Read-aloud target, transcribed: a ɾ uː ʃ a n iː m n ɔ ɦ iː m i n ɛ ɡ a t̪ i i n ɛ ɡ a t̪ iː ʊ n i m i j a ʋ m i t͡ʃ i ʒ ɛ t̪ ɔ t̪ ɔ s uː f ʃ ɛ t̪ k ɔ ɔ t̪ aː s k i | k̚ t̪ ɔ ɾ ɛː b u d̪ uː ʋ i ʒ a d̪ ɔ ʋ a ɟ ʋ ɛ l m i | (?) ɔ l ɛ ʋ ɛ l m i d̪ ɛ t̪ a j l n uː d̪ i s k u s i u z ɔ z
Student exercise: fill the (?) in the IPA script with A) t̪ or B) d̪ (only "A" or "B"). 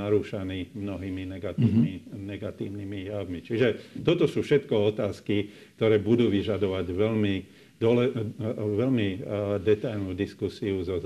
B